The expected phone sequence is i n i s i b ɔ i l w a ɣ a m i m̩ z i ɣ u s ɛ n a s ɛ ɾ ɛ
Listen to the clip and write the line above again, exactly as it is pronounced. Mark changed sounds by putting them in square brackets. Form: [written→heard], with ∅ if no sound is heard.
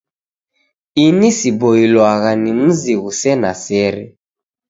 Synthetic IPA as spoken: i n i s i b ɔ i l w a ɣ a [m→n] i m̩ z i ɣ u s ɛ n a s ɛ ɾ ɛ